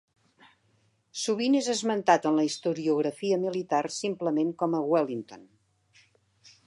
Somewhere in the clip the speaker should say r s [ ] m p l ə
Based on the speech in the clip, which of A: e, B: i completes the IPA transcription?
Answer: B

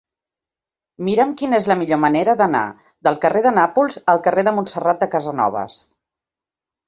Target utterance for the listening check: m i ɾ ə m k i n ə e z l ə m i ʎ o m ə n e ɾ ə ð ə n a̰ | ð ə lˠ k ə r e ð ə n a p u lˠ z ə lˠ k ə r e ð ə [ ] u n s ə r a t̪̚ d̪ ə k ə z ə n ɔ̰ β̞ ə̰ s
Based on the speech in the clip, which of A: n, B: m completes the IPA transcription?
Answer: B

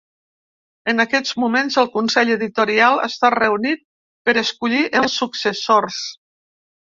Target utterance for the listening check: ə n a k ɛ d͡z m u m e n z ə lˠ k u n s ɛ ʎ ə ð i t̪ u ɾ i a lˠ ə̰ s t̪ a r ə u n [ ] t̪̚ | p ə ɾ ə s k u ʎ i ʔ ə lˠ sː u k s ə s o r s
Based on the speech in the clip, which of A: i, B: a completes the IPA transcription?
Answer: A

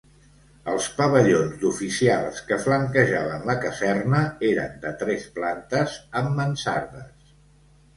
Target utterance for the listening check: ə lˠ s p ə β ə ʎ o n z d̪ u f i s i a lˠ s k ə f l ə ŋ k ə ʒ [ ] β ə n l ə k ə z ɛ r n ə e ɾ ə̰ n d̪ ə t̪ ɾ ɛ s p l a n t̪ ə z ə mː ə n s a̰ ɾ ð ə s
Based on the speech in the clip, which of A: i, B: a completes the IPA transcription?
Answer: B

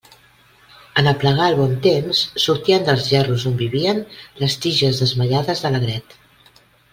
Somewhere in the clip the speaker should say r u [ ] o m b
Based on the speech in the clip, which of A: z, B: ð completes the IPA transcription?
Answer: A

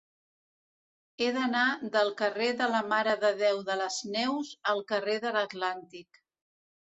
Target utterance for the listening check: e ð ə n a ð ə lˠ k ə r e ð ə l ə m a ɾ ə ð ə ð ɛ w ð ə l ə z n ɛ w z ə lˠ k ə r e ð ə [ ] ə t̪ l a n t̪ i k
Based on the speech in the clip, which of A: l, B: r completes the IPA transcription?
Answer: A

